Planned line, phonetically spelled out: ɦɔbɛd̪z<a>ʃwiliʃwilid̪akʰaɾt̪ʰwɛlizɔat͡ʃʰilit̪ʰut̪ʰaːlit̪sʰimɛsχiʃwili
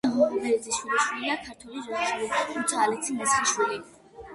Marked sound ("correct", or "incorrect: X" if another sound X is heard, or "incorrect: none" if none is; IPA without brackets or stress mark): incorrect: i